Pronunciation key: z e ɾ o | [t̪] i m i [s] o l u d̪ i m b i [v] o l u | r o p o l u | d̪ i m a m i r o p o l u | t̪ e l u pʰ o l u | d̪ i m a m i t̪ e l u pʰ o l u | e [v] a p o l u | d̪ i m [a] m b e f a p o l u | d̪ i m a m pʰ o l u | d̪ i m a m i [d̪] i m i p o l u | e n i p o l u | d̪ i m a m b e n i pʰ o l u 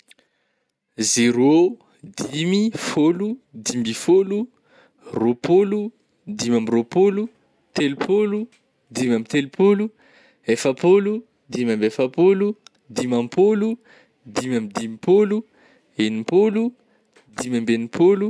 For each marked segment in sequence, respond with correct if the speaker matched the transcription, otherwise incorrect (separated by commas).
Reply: incorrect, incorrect, incorrect, incorrect, correct, correct